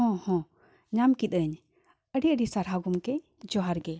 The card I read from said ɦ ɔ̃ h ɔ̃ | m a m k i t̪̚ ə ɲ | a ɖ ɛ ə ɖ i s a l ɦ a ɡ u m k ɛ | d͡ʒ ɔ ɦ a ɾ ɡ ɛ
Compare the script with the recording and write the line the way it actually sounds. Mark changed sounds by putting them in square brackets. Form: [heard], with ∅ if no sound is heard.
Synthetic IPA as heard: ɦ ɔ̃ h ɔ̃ | [ɲ] a m k i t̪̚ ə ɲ | [ə] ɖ [i] ə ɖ i s a [ɾ] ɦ a ɡ u m k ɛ | d͡ʒ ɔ ɦ a ɾ ɡ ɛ